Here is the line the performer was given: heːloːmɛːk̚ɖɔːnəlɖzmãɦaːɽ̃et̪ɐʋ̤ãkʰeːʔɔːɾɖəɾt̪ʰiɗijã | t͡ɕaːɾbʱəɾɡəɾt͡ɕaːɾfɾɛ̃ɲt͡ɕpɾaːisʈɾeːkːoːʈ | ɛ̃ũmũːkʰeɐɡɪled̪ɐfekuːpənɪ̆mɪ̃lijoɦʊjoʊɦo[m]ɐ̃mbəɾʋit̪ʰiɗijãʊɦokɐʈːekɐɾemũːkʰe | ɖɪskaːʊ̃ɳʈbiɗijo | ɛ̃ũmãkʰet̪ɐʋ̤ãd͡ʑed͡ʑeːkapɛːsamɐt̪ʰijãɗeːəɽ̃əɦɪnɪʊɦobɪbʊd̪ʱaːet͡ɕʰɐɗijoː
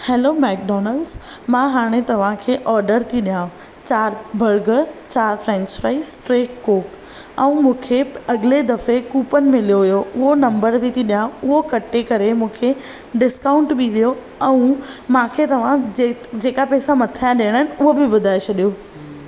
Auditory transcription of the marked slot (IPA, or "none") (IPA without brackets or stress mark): n